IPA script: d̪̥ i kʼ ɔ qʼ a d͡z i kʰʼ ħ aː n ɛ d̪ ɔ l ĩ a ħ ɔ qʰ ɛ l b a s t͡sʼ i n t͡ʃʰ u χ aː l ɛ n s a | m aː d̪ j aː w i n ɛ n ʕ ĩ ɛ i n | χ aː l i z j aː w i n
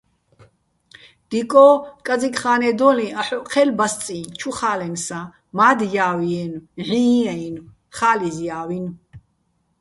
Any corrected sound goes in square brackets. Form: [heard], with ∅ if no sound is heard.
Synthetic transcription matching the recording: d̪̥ i kʼ ɔ [kʼ] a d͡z i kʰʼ [χ] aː n ɛ d̪ ɔ l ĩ a ħ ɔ qʰ ɛ l b a s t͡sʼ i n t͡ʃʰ u χ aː l ɛ n s a | m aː d̪ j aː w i [∅] ɛ n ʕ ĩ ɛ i n | χ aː l i z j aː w i n